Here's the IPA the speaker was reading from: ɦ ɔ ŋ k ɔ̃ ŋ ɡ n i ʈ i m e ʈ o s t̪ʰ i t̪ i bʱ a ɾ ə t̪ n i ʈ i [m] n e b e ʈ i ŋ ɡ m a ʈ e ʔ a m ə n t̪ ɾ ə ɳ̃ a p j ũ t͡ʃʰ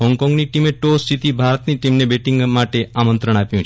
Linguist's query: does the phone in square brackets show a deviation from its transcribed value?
no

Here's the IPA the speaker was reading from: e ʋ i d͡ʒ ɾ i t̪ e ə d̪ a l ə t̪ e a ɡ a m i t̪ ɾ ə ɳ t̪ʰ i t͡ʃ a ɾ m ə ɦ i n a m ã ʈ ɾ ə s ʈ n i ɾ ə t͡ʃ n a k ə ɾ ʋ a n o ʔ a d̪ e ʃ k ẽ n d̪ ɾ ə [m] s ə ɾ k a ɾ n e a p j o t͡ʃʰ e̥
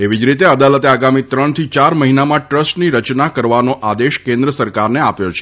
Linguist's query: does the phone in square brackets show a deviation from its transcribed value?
yes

